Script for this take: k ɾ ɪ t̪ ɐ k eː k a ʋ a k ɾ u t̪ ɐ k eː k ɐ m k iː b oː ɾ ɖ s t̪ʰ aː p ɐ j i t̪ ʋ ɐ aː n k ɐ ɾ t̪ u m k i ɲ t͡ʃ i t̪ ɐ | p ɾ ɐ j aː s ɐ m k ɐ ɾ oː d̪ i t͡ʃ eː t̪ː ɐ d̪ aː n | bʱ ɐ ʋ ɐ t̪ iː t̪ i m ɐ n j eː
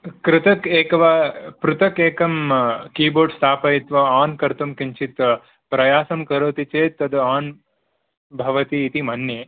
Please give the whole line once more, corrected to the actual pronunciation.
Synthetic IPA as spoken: k ɾ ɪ t̪ ɐ k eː k ɐ ʋ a p ɾ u t̪ ɐ k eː k ɐ m k iː b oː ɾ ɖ s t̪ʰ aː p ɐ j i t̪ ʋ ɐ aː n k ɐ ɾ t̪ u m k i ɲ t͡ʃ i t̪ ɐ | p ɾ ɐ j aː s ɐ m k ɐ ɾ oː t̪ i t͡ʃ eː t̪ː ɐ d̪ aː n | bʱ ɐ ʋ ɐ t̪ iː t̪ i m ɐ n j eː